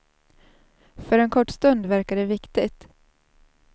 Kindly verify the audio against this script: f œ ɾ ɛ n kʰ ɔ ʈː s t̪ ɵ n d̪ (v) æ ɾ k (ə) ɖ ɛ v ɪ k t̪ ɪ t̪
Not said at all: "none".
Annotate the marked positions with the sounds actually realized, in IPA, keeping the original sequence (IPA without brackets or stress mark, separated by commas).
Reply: v, a